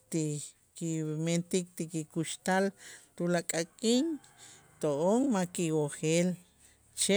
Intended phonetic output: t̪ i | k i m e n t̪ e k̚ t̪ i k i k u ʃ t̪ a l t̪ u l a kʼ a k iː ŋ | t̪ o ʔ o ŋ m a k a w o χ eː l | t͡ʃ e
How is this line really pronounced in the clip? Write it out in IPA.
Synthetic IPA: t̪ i | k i m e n t̪ i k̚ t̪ i k i k u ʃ t̪ a l t̪ u l a kʼ a kʼ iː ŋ | t̪ o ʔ o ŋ m a k i w o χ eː l | t͡ʃ e